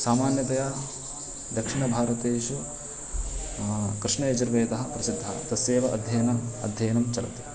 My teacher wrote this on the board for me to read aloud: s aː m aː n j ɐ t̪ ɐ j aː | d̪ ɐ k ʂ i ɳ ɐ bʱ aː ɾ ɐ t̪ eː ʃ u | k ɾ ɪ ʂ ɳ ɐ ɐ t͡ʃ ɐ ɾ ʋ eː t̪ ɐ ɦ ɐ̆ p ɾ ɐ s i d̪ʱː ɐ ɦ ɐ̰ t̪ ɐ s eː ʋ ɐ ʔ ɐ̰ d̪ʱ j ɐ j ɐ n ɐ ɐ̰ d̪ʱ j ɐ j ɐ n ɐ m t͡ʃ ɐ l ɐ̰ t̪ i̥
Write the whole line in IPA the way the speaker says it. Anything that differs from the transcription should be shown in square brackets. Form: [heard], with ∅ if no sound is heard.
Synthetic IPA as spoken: s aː m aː n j ɐ t̪ ɐ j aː | d̪ ɐ k ʂ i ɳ ɐ bʱ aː ɾ ɐ t̪ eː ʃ u | k ɾ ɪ ʂ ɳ ɐ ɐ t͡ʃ ɐ ɾ ʋ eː t̪ ɐ ɦ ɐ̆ p ɾ ɐ s i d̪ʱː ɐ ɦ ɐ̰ t̪ ɐ s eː ʋ ɐ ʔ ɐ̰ d̪ʱ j ɐ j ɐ n ɐ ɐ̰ d̪ʱ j ɐ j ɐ n ɐ m t͡ʃ ɐ l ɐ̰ t̪ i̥

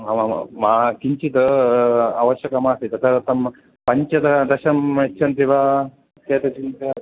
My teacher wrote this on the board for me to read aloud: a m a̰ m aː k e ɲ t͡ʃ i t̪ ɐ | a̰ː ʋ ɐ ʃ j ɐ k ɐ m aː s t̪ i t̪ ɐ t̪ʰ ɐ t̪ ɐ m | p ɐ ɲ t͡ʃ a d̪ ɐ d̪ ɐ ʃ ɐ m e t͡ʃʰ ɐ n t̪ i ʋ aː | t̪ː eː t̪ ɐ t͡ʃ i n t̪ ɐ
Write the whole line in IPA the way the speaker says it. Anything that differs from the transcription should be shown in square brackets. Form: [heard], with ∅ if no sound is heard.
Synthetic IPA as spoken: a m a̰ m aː k [i] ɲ t͡ʃ i t̪ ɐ | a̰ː ʋ ɐ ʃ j ɐ k ɐ m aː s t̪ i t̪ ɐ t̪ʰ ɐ t̪ ɐ m | p ɐ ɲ t͡ʃ [ɐ] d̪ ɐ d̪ ɐ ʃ ɐ m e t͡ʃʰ ɐ n t̪ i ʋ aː | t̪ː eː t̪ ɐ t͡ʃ i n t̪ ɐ

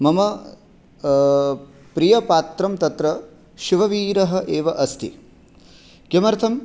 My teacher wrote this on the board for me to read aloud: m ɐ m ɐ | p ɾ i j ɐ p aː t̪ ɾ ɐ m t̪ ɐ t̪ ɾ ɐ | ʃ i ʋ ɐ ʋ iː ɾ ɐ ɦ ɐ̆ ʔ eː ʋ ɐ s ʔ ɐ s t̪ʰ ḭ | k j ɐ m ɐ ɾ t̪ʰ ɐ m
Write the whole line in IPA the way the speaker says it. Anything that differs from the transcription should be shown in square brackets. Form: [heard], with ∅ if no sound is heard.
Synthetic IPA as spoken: m ɐ m ɐ | p ɾ i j ɐ p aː t̪ ɾ ɐ m t̪ ɐ t̪ ɾ ɐ | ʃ i ʋ ɐ ʋ iː ɾ ɐ ɦ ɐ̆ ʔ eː ʋ ɐ [∅] ʔ ɐ s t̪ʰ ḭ | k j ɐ m ɐ ɾ t̪ʰ ɐ m

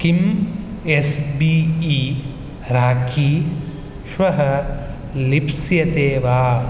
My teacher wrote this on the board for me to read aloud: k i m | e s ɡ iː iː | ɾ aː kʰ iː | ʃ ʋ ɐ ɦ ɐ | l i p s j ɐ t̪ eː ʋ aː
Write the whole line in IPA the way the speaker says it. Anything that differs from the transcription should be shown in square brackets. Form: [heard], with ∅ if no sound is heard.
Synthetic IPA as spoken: k i m | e s [b] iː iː | ɾ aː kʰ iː | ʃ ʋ ɐ ɦ ɐ | l i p s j ɐ t̪ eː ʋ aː

